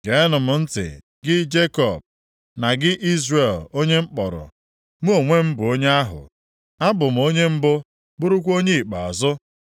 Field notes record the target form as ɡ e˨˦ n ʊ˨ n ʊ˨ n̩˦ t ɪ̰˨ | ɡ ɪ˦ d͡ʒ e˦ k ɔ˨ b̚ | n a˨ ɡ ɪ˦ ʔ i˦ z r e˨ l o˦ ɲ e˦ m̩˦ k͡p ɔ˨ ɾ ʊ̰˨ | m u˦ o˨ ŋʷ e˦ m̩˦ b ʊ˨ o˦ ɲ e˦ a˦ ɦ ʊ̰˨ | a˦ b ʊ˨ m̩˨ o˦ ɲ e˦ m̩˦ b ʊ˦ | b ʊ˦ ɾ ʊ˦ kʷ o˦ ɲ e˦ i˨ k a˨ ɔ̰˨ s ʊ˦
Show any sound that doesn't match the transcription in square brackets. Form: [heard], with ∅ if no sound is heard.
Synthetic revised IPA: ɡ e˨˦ n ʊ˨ [m] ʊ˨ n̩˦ t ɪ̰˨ | ɡ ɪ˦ d͡ʒ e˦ k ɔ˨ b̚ | n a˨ ɡ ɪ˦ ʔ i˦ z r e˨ l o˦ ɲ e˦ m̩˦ k͡p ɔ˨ ɾ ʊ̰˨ | m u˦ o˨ ŋʷ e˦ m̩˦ b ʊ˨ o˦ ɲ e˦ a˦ ɦ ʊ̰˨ | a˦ b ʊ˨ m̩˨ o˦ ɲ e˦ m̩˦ b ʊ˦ | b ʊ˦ ɾ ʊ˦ kʷ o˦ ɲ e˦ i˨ [k͡p] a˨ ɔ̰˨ [z] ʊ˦

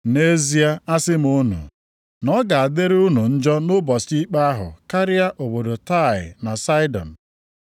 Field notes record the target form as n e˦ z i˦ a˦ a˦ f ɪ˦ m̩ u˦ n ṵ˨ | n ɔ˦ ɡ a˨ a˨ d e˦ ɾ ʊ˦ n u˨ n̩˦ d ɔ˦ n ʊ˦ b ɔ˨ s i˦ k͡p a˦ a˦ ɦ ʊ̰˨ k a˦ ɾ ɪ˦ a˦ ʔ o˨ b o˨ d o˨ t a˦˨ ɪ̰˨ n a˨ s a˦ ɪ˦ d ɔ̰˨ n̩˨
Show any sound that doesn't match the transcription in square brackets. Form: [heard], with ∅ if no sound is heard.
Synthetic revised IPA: n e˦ z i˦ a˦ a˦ [s] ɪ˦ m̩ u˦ n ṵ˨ | n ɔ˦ ɡ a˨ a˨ d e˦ ɾ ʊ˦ n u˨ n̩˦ [d͡ʒ] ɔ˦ n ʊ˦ b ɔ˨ s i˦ k͡p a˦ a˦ ɦ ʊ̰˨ k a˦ ɾ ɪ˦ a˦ ʔ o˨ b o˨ d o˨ t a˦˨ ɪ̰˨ n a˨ s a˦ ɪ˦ d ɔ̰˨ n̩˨

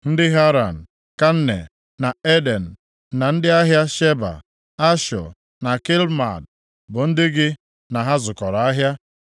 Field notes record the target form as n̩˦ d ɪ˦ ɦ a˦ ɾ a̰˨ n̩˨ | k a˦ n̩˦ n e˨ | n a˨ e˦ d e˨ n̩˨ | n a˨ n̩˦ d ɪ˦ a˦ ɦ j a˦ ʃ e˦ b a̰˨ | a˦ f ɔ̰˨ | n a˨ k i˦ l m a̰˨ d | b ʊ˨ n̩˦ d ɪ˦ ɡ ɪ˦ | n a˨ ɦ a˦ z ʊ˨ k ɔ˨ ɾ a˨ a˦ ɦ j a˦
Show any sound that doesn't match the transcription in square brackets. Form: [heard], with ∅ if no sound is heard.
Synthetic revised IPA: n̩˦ d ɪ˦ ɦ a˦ ɾ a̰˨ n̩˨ | k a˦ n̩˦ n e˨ | n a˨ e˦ d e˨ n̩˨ | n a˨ n̩˦ d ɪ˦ a˦ ɦ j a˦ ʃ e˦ b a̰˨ | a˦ [ʃ] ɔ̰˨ | n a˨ k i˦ l m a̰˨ d | b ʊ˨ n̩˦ d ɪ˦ ɡ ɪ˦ | n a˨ ɦ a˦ z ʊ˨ k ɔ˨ ɾ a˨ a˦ ɦ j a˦

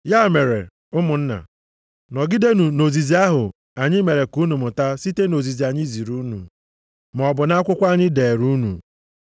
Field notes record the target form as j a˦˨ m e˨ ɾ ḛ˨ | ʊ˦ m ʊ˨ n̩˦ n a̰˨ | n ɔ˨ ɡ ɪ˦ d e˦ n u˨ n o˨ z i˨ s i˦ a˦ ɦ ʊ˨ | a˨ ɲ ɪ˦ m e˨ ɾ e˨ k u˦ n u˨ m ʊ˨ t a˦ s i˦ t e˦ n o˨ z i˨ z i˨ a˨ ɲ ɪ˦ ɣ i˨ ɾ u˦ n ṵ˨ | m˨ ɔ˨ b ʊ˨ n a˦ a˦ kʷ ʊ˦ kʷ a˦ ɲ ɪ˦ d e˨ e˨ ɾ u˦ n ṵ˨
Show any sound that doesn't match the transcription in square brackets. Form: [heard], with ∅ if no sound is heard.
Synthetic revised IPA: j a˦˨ m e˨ ɾ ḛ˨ | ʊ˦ m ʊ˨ n̩˦ n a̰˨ | n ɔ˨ ɡ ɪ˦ d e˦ n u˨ n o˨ z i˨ [z] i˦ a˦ ɦ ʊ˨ | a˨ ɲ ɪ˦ m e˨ ɾ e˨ k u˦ n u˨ m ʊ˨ t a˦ s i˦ t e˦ n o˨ z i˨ z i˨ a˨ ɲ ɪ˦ [z] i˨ ɾ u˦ n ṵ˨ | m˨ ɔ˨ b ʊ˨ n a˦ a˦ kʷ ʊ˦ kʷ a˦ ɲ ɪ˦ d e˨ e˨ ɾ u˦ n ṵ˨

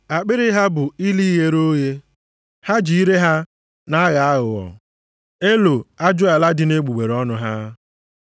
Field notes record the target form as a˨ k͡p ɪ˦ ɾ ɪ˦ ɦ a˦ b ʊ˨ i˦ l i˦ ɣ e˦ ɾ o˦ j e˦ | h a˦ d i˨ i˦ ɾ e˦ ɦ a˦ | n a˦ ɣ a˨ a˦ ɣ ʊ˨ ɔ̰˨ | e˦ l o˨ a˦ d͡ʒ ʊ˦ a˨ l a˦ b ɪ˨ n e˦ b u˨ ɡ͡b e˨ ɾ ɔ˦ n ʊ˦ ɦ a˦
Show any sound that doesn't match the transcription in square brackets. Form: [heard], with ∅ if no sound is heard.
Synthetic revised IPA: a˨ k͡p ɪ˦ ɾ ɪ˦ ɦ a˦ b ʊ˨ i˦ l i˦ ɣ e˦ ɾ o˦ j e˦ | h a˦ [d͡ʒ] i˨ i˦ ɾ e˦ ɦ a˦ | n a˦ ɣ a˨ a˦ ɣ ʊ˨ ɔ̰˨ | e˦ l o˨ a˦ d͡ʒ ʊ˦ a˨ l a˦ [d] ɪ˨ n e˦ [ɡ͡b] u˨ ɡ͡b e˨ ɾ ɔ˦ n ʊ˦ ɦ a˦

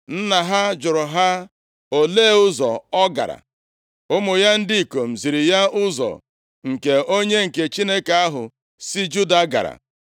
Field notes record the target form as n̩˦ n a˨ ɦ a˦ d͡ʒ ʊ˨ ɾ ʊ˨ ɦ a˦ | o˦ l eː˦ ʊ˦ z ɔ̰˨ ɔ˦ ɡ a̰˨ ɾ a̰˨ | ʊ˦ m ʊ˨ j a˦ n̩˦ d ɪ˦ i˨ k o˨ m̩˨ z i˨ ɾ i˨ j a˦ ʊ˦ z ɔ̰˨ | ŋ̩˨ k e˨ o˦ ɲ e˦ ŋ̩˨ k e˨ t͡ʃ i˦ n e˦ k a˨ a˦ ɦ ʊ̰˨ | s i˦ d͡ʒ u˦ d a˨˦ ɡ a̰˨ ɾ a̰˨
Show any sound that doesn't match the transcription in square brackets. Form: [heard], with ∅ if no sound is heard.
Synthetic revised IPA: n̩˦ n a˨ ɦ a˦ d͡ʒ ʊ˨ ɾ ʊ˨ ɦ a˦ | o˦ l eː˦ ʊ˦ z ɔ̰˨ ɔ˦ ɡ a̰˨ ɾ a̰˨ | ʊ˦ m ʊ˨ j a˦ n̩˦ d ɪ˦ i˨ k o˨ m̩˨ z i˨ ɾ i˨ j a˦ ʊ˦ z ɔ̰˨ | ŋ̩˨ k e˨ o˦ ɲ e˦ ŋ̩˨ k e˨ t͡ʃ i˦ n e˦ k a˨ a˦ ɦ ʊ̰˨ | s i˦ d͡ʒ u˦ d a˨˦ ɡ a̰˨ ɾ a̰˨

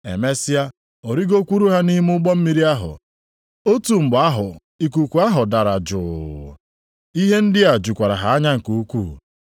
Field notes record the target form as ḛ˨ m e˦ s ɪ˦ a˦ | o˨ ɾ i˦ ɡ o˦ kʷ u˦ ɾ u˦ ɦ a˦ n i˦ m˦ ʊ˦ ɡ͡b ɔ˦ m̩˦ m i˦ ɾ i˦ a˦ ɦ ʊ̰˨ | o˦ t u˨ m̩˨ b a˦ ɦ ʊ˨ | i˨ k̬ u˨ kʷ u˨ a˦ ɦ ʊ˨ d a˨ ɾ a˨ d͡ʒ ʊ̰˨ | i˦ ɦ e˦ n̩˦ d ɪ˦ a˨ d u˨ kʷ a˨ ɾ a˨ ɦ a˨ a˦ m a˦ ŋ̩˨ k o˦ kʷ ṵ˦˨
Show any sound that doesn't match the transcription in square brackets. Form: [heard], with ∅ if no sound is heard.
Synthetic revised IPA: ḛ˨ m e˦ s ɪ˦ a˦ | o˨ ɾ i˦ ɡ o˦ kʷ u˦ ɾ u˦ ɦ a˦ n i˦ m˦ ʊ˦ ɡ͡b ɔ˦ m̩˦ m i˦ ɾ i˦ a˦ ɦ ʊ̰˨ | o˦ t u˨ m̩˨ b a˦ ɦ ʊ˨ | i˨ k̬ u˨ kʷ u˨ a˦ ɦ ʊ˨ d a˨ ɾ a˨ d͡ʒ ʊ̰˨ | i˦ ɦ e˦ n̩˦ d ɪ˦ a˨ [d͡ʒ] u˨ kʷ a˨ ɾ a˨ ɦ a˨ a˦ [ɲ] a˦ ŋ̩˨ k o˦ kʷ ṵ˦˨

